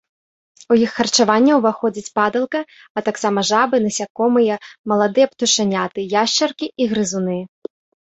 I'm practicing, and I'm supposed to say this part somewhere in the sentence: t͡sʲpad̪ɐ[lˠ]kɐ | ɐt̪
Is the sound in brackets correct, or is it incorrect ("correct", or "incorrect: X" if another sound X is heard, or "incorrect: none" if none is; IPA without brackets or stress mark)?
correct